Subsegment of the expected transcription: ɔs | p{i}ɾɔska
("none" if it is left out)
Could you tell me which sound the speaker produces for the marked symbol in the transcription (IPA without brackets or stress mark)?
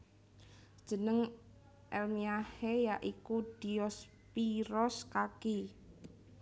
i